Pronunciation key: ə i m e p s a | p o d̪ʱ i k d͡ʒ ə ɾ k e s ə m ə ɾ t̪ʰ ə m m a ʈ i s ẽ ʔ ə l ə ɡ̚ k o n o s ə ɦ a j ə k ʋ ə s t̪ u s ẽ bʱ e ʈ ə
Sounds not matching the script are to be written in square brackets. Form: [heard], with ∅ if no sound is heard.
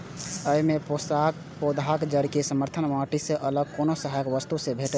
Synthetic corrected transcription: ə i m e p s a | p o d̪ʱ [a] k d͡ʒ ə ɾ k e s ə m ə ɾ t̪ʰ ə [n] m a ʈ i s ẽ ʔ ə l ə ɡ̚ k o n o s ə ɦ a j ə k ʋ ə s t̪ u s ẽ bʱ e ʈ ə